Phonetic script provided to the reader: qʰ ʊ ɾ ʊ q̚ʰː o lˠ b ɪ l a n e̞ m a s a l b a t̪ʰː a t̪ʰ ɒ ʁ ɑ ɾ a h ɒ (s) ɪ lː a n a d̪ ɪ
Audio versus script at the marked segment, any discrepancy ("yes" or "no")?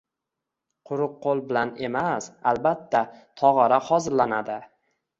yes